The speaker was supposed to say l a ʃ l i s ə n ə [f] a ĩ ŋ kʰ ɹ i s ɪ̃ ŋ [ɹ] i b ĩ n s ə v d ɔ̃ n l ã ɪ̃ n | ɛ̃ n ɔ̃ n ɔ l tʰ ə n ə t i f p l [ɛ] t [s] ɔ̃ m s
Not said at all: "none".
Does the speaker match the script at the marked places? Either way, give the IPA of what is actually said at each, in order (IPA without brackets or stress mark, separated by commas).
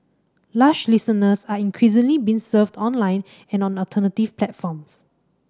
s, l, ɛ, f